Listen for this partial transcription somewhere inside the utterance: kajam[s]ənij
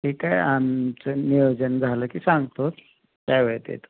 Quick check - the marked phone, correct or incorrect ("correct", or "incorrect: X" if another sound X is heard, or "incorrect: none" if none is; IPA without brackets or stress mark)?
incorrect: t͡s